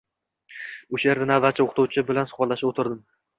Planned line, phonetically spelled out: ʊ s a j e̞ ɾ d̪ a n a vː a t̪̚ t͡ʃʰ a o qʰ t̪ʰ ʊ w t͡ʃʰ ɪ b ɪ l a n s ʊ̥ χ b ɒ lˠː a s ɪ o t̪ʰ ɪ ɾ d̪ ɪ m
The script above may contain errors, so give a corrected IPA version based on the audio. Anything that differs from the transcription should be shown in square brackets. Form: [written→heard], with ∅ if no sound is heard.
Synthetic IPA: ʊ [s→ʃ] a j e̞ ɾ d̪ a n a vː a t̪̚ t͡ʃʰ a o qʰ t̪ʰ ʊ w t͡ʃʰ ɪ b ɪ l a n s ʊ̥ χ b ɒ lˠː a [s→ʃ] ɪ o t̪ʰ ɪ ɾ d̪ ɪ m